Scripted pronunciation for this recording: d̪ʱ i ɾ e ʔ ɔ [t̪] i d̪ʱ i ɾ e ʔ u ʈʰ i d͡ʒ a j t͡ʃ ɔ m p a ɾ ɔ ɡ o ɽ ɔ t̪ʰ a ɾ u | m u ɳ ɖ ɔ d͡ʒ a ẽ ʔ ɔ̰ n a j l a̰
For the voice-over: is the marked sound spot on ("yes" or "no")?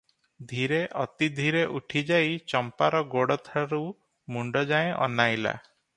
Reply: yes